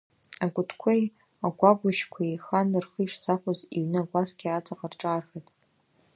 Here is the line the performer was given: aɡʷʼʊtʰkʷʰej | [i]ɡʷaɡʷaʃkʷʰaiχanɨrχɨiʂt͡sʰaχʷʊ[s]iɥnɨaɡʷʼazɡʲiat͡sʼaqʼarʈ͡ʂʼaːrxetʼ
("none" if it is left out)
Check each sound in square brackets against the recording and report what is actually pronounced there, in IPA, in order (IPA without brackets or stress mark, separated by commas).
a, z